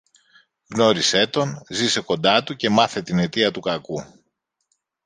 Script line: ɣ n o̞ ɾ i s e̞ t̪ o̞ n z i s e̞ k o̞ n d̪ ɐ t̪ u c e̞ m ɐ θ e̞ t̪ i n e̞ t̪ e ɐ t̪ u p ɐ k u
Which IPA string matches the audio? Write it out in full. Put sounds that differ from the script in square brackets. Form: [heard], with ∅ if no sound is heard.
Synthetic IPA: ɣ n o̞ ɾ i s e̞ t̪ o̞ n z i s e̞ k o̞ n d̪ ɐ t̪ u c e̞ m ɐ θ e̞ t̪ i n e̞ t̪ [i] ɐ t̪ u [k] ɐ k u